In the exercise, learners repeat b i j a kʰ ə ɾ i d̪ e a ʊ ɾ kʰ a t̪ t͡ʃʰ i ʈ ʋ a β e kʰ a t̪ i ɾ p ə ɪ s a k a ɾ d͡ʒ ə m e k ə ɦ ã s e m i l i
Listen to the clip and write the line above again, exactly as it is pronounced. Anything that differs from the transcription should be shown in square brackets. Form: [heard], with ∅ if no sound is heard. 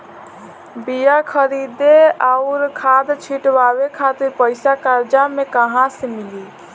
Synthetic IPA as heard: b i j a kʰ ə ɾ i d̪ e a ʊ ɾ kʰ a [d̪] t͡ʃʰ i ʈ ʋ a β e kʰ a t̪ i ɾ p ə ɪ s a k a ɾ d͡ʒ [a] m e k ə ɦ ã s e m i l i

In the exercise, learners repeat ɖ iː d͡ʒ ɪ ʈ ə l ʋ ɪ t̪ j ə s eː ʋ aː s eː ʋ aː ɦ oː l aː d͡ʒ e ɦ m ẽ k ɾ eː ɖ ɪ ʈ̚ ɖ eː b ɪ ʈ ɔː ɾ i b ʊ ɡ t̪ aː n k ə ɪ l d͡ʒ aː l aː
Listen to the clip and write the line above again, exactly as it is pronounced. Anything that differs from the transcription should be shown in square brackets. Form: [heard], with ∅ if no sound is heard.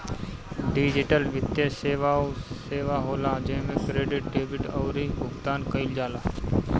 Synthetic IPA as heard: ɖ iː d͡ʒ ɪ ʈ ə l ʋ ɪ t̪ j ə s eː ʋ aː s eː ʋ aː ɦ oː l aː d͡ʒ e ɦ m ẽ k ɾ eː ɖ ɪ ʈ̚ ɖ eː b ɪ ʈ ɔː ɾ i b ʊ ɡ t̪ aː n k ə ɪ l d͡ʒ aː l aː

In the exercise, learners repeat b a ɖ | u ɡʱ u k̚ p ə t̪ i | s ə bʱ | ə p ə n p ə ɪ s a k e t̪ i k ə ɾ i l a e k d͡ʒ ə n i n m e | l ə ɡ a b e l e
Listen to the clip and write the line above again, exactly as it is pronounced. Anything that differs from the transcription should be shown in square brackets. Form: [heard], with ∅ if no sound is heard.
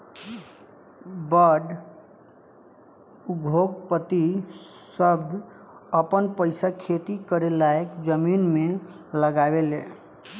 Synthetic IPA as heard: b [ə] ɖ | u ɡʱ [o] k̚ p ə t̪ i | s ə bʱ | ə p ə n p ə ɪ s a [kʰ] e t̪ i k ə ɾ [e] l a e k d͡ʒ ə [m] i n m e | l ə ɡ a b e l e

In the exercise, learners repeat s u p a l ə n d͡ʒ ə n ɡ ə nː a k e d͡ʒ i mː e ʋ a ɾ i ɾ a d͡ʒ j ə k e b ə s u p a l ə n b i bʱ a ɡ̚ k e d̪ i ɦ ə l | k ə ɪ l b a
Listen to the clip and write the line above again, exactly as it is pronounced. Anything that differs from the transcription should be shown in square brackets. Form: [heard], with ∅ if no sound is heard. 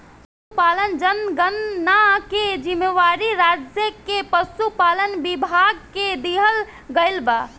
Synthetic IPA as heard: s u p a l ə n d͡ʒ ə n ɡ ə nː a k e d͡ʒ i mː e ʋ a ɾ i ɾ a d͡ʒ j ə k e [p] ə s u p a l ə n b i bʱ a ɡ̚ k e d̪ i ɦ ə l | [ɡ] ə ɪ l b a

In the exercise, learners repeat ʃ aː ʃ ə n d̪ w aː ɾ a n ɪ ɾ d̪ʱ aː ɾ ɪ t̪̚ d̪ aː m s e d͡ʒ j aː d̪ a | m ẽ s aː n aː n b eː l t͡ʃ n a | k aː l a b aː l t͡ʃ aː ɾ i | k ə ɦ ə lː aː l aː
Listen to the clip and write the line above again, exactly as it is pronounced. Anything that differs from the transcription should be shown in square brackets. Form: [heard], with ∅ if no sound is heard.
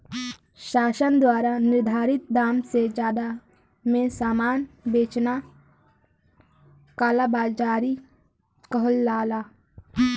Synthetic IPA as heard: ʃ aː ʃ ə n d̪ w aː ɾ a n ɪ ɾ d̪ʱ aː ɾ ɪ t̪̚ d̪ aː m s e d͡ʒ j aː d̪ a | m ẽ s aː [m] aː n b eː [∅] t͡ʃ n a | k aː l a b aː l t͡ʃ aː ɾ i | k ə ɦ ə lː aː l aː

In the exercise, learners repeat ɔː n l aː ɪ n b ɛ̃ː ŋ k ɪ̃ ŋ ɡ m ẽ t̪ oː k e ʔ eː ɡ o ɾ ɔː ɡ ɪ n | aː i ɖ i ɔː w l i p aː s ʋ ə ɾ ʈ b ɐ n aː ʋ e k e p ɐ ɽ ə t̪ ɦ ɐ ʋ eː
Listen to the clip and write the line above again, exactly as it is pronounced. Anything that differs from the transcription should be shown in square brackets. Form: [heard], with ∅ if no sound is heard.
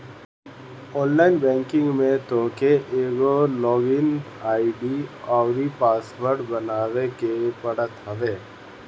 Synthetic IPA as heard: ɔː n l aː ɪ n b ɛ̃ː ŋ k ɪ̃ ŋ ɡ m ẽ t̪ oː k e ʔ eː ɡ o [l] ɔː ɡ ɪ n | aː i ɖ i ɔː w [ɾ] i p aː s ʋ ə ɾ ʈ b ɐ n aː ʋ e k e p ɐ ɽ ə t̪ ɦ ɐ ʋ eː

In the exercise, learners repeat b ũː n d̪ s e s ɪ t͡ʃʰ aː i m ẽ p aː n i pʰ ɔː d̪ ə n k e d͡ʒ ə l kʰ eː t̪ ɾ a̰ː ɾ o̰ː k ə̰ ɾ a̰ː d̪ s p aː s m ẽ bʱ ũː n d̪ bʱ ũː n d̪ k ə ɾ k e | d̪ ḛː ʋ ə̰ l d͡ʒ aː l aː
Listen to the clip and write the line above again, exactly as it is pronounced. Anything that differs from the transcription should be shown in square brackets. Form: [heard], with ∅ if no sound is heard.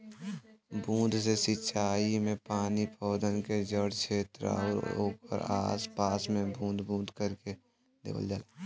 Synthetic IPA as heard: b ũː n d̪ s e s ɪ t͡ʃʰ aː i m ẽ p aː n i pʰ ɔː d̪ ə n k e d͡ʒ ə [ɽ] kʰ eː t̪ ɾ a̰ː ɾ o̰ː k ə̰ ɾ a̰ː [∅] s p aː s m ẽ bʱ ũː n d̪ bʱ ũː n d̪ k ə ɾ k e | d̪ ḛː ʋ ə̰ l d͡ʒ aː l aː

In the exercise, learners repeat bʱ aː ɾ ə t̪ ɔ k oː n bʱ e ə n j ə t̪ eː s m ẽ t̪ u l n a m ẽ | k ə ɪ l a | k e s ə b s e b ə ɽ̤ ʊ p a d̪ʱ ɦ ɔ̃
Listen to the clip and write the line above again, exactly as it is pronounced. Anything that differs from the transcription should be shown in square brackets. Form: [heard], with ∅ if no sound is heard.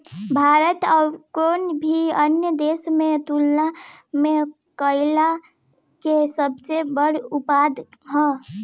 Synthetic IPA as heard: bʱ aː ɾ ə t̪ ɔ k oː n bʱ [i] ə n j ə [d̪] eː s m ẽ t̪ u l n a m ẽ | k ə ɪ l a | k e s ə b s e b ə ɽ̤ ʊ p a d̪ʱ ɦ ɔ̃

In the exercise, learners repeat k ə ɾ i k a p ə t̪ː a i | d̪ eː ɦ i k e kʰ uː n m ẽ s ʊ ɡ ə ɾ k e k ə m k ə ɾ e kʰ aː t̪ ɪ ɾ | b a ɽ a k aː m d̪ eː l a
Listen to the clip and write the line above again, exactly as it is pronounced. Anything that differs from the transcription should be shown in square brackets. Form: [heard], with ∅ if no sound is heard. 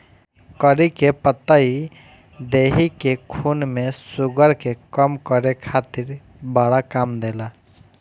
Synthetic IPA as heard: k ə ɾ i k [e] p ə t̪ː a i | d̪ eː ɦ i k e kʰ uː n m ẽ s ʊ ɡ ə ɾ k e k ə m k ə ɾ e kʰ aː t̪ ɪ ɾ | b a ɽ a k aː m d̪ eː l a

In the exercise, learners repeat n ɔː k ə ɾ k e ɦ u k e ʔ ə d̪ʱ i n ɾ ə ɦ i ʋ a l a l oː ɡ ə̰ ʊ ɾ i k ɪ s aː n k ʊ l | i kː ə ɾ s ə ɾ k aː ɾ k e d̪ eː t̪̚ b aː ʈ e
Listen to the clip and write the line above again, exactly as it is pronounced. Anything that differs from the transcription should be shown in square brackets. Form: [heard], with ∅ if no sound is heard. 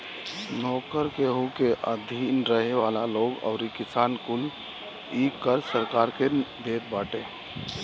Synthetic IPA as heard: n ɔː k ə ɾ k e ɦ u k e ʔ ə d̪ʱ i n ɾ ə ɦ [e] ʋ a l a l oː ɡ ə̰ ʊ ɾ i k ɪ s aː n k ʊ l | i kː ə ɾ s ə ɾ k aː ɾ k e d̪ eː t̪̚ b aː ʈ e

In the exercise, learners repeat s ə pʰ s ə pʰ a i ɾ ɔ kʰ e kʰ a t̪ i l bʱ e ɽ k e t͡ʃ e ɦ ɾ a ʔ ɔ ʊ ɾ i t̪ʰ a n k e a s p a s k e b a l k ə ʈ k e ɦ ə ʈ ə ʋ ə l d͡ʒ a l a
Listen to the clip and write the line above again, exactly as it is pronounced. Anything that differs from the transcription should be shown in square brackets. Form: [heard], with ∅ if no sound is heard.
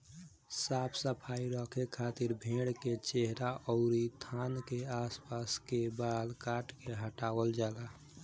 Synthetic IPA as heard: s [a] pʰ s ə pʰ a i ɾ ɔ kʰ e kʰ a t̪ i [ɾ] bʱ e ɽ k e t͡ʃ e ɦ ɾ a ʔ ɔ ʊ ɾ i t̪ʰ a n k e a s p a s k e b a l k [a] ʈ k e ɦ ə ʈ [a] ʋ ə l d͡ʒ a l a

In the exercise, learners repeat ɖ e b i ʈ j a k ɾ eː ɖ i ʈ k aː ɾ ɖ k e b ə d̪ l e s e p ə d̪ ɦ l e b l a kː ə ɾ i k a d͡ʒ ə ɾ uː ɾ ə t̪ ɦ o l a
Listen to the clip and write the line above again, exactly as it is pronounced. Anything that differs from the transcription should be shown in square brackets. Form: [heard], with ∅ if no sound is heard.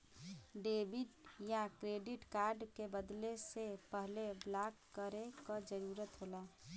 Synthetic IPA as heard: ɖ e b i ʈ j a k ɾ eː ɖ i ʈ k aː ɾ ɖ k e b ə d̪ l e s e p ə [∅] ɦ l e b l a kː ə ɾ [e] k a d͡ʒ ə ɾ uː ɾ ə t̪ ɦ o l a

